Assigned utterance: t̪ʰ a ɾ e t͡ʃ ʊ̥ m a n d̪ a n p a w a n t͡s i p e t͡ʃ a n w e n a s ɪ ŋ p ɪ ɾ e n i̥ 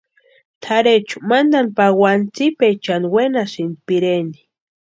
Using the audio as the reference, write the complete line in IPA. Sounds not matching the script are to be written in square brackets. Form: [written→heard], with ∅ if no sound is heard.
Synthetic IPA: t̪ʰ a ɾ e t͡ʃ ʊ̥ m a n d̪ a n p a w a n t͡s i p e t͡ʃ a n w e n a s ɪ [ŋ→n] p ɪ ɾ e n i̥

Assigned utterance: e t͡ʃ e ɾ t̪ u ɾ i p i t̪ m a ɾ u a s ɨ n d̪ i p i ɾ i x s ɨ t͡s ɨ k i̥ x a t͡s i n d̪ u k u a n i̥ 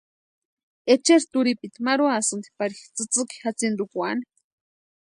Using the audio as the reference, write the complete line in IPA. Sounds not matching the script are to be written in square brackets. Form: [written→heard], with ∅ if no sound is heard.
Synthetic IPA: e t͡ʃ e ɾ t̪ u ɾ i p i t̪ m a ɾ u a s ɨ n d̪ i p [i→a] ɾ i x [s→t͡s] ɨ t͡s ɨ k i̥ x a t͡s i n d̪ u k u a n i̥

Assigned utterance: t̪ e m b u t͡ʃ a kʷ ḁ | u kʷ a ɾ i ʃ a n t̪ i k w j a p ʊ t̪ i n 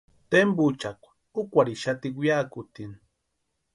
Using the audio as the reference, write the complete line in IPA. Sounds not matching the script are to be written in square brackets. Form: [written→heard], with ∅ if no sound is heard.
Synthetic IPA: t̪ e m b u t͡ʃ a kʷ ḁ | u kʷ a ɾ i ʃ a [n→∅] t̪ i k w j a [p→k] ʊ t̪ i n

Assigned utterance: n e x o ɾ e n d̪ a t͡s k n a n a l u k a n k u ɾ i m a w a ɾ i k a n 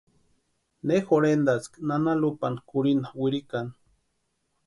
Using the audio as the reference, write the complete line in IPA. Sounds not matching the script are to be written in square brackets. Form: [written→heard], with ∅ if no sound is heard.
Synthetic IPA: n e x o ɾ e n d̪ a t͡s k n a n a l u [k→p] a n k u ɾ i [m→n] a w [a→i] ɾ i k a n

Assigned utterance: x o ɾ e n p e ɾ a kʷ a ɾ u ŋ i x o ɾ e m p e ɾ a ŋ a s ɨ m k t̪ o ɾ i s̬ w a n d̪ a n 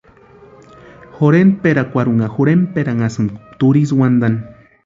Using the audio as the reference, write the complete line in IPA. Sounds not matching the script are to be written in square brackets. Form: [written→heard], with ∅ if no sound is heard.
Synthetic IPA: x o ɾ e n p e ɾ a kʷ a ɾ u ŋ [i→a] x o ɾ e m p e ɾ a ŋ a s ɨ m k t̪ [o→u] ɾ i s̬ w a n d̪ a n

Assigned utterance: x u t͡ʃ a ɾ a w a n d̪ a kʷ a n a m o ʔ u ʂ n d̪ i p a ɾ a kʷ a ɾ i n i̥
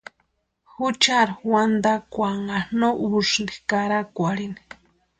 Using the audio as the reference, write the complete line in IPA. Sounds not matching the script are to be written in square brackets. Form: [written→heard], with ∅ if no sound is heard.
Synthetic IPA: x u t͡ʃ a ɾ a w a n d̪ a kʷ a [n→ŋ] a [m→n] o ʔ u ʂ n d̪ i [p→k] a ɾ a kʷ a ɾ i n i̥

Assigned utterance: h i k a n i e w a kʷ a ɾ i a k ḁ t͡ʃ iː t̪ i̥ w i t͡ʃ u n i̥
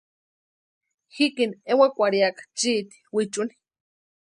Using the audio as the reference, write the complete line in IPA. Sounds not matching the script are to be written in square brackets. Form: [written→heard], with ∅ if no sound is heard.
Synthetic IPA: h i k [a→i] n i e w a kʷ a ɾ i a k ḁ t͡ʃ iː t̪ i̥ w i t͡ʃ u n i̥

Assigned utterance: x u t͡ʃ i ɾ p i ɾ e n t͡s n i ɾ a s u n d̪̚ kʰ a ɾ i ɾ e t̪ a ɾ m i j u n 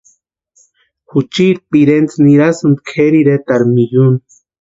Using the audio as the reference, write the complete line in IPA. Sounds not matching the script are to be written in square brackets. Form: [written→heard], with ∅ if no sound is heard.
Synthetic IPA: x u t͡ʃ i ɾ p i ɾ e n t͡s n i ɾ a s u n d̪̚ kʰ [a→e] ɾ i ɾ e t̪ a ɾ m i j u n

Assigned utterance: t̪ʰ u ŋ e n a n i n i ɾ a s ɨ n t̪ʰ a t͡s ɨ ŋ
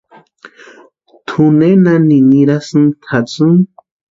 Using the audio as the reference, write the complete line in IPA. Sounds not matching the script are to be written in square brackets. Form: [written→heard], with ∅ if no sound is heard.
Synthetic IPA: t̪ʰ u [ŋ→n] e n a n i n i ɾ a s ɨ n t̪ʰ a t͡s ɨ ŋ

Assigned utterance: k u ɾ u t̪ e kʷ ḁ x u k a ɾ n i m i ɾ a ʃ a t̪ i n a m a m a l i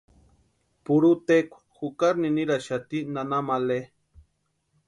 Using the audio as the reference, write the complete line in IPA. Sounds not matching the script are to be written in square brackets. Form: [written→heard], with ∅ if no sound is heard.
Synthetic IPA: [k→p] u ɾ u t̪ e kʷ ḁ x u k a ɾ n i [m→n] i ɾ a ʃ a t̪ i n a [m→n] a m a l [i→e]

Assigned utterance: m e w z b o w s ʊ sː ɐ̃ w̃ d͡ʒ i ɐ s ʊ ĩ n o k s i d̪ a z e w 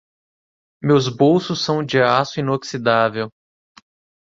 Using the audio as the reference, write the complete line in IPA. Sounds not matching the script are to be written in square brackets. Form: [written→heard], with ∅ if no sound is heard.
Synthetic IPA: m e w z b o w s ʊ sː ɐ̃ w̃ d͡ʒ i [ɐ→a] s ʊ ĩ n o k s i d̪ a [z→v] e w

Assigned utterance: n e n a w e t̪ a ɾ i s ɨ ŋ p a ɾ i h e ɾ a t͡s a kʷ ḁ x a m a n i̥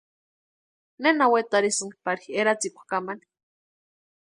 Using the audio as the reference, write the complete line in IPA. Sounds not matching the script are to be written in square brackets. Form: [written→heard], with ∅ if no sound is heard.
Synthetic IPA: n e n a w e t̪ a ɾ i s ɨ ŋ p a ɾ i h e ɾ a t͡s [a→i] kʷ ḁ [x→k] a m a n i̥

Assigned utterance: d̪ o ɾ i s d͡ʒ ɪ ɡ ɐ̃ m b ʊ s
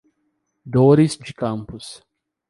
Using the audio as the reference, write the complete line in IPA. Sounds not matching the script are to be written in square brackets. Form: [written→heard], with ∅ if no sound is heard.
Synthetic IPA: d̪ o ɾ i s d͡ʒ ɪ [ɡ→k] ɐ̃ m [b→p] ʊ s

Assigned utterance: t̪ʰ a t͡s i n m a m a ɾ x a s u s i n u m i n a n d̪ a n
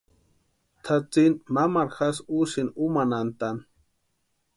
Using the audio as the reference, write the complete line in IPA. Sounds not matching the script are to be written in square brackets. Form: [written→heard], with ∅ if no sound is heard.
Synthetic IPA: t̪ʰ a t͡s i n m a m a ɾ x a s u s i n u m [i→a] n a n [d̪→t̪] a n

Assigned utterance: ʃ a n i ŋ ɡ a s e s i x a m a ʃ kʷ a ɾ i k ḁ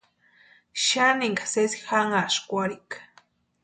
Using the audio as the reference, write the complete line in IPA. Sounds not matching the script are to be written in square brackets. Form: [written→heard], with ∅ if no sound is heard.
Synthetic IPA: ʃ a n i ŋ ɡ a s e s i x a [m→ŋ] a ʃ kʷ a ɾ i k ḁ

